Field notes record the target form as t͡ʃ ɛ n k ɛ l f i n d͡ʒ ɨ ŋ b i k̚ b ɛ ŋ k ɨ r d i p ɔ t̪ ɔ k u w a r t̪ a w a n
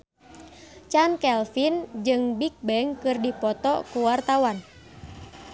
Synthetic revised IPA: t͡ʃ a n k ɛ l f i n d͡ʒ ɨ ŋ b i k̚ b ɛ ŋ k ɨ r d i p ɔ t̪ ɔ k u w a r t̪ a w a n